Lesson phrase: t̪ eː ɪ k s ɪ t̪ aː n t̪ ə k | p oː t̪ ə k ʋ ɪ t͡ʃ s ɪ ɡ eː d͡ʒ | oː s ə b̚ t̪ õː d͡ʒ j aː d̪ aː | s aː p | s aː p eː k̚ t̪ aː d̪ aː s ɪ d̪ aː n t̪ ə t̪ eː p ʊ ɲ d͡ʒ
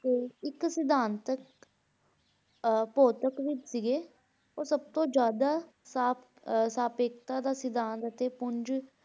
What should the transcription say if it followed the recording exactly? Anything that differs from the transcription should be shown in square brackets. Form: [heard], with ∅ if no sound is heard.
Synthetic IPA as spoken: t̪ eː ɪ k s ɪ [d̪] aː n t̪ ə k | p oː t̪ ə k ʋ ɪ t͡ʃ s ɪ ɡ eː [∅] | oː s ə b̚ t̪ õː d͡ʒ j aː d̪ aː | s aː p | s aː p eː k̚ t̪ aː d̪ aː s ɪ d̪ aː n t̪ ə t̪ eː p ʊ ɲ d͡ʒ